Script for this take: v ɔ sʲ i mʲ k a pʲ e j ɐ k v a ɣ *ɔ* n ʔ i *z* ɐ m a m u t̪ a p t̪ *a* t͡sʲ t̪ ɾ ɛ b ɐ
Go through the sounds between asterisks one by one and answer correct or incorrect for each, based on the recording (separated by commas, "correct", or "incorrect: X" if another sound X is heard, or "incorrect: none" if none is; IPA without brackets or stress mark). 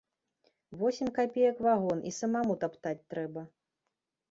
correct, incorrect: s, correct